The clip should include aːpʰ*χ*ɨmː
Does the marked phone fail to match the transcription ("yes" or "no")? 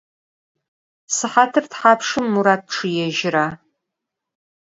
yes